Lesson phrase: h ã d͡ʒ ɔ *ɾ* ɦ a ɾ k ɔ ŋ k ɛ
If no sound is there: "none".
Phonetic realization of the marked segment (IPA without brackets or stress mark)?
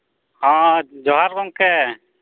none